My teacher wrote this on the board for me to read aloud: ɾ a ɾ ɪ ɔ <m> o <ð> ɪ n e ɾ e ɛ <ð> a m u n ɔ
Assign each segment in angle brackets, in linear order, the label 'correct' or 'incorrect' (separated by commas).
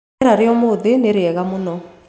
correct, correct, incorrect